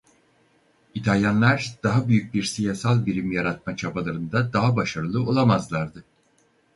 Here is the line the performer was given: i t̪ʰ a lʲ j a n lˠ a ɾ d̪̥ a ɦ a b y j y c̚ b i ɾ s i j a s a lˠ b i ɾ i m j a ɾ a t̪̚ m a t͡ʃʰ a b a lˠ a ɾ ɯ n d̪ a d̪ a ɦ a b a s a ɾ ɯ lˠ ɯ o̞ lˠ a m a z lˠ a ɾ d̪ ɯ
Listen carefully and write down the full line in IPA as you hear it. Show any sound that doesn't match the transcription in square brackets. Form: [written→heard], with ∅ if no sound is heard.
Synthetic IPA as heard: i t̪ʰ a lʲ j a n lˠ a ɾ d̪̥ a ɦ a b y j y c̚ b i ɾ s i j a s a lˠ b i ɾ i m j a ɾ a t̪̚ m a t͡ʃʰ a b a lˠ a ɾ ɯ n d̪ a d̪ a ɦ a b a [s→ʃ] a ɾ ɯ lˠ ɯ o̞ lˠ a m a z lˠ a ɾ d̪ ɯ